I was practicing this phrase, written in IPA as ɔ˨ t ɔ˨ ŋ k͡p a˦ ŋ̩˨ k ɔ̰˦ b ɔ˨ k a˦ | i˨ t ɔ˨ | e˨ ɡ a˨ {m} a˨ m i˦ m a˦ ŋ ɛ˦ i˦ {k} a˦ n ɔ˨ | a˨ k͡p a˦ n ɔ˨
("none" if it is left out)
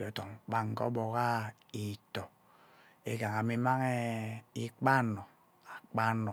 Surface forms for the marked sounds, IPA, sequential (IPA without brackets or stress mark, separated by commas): ŋ, k͡p